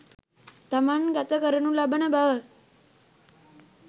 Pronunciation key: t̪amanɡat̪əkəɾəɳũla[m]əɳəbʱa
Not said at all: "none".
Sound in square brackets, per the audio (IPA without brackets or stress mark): b